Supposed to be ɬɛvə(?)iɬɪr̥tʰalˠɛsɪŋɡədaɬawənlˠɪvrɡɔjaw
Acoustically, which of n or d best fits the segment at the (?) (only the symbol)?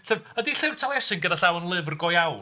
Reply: d